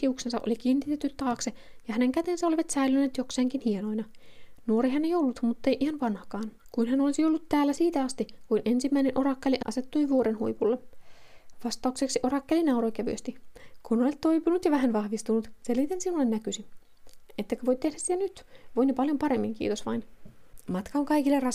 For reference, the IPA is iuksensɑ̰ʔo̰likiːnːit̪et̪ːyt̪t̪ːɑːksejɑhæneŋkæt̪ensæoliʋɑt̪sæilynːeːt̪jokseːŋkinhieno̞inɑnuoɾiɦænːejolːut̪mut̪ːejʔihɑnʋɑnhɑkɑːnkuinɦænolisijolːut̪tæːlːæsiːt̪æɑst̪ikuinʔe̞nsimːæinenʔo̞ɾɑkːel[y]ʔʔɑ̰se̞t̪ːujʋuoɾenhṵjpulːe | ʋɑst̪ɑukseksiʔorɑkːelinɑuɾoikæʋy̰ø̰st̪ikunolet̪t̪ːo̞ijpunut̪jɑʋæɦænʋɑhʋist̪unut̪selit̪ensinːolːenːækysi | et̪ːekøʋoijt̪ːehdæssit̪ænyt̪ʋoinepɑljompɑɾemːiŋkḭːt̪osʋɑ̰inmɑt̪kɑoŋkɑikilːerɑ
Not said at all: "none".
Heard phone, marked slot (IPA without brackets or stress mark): i